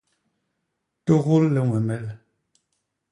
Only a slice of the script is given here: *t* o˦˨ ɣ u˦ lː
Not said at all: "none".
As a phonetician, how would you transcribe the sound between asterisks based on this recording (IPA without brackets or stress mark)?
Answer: t